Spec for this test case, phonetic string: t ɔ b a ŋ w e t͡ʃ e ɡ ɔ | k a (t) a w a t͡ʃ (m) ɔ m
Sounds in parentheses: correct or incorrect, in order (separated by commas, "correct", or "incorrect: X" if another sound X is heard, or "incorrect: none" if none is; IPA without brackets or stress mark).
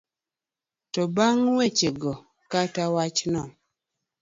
correct, incorrect: n